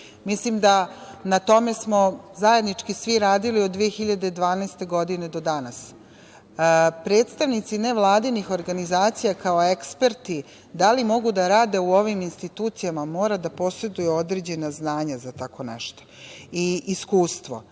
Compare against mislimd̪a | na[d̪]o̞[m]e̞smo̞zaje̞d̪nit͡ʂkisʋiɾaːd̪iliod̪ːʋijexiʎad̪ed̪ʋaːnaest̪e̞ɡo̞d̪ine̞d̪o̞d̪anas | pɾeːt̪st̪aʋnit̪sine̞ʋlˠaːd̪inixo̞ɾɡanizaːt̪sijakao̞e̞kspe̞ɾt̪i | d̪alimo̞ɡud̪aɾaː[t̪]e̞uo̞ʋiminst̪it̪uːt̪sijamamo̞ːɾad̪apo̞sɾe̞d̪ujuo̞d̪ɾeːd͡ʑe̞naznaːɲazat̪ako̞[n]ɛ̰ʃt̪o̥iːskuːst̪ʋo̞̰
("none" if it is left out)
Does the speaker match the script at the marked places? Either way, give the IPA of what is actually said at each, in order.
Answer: t̪, m, d̪, n

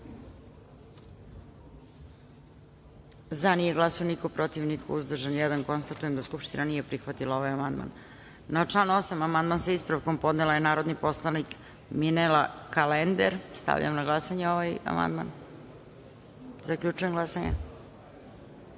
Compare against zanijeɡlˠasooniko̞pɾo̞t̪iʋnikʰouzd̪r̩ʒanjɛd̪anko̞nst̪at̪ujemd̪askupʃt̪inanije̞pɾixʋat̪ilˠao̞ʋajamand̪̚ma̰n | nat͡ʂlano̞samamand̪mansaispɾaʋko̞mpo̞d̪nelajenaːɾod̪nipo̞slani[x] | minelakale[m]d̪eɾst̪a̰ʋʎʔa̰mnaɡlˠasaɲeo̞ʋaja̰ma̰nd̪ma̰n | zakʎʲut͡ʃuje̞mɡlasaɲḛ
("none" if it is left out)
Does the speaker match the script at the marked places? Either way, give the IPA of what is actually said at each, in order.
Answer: k, n

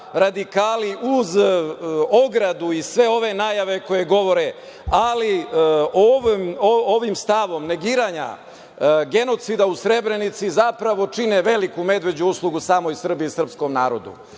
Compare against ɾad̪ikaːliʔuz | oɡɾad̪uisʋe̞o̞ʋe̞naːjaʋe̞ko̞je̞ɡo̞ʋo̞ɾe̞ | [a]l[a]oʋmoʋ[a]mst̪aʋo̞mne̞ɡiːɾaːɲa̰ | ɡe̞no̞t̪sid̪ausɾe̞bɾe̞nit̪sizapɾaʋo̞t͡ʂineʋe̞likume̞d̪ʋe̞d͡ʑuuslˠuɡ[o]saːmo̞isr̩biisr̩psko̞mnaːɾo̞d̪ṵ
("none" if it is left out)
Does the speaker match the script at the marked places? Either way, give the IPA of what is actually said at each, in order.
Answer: a, i, i, u

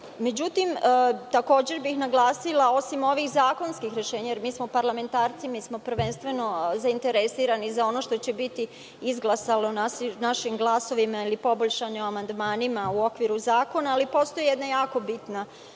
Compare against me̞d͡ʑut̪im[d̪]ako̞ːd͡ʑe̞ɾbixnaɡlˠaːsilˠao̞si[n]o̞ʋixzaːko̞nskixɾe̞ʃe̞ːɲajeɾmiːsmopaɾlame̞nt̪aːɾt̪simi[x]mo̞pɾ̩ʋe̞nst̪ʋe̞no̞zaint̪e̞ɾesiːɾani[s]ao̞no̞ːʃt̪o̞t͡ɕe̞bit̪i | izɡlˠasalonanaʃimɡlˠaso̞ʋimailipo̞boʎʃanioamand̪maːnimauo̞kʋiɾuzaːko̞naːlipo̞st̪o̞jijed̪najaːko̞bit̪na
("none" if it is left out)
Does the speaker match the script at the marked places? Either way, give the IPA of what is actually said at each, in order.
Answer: t̪, m, s, z

